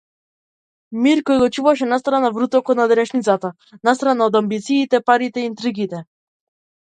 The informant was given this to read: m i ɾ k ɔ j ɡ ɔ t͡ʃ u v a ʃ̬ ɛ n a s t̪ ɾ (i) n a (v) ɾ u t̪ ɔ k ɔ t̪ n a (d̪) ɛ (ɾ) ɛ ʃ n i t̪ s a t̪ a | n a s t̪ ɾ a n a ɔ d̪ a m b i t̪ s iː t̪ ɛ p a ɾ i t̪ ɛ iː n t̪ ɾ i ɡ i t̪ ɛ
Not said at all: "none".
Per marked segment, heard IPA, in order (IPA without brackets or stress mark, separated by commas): a, v, d̪, ɾ